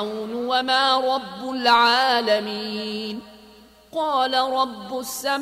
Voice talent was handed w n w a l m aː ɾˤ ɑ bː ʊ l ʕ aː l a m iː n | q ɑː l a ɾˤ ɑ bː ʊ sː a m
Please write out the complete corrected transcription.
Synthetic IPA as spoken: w n w a m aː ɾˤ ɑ bː ʊ l ʕ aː l a m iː n | q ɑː l a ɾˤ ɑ bː ʊ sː a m